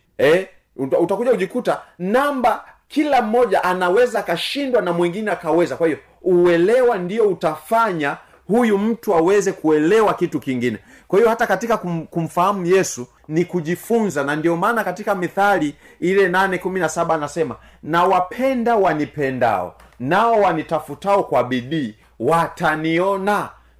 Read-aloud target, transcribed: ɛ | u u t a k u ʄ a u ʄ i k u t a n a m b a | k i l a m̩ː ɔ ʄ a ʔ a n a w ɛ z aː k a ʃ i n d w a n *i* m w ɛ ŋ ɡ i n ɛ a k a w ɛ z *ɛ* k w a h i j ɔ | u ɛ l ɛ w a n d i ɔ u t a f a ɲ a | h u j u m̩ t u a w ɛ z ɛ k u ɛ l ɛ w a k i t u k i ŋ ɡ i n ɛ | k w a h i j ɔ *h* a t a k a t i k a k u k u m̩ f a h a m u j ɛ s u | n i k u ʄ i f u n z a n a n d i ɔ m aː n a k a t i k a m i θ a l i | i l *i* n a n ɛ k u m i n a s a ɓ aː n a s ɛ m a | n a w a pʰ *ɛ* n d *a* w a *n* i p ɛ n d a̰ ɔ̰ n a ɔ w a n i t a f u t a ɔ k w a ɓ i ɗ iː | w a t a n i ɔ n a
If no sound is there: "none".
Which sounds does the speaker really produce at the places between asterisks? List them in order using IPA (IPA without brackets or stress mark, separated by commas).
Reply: a, a, h, ɛ, ɛ, a, n